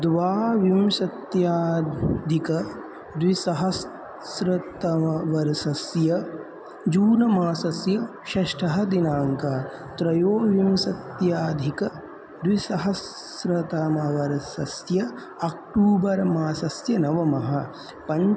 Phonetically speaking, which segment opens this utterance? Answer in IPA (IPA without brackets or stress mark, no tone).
d̪